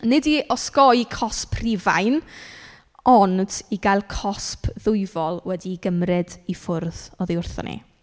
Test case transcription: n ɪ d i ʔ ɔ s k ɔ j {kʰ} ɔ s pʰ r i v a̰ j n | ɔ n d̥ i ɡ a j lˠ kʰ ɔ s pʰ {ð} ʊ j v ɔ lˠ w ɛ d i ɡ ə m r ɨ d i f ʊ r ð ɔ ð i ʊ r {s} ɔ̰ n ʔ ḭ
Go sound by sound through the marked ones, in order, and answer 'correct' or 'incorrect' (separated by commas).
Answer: correct, correct, incorrect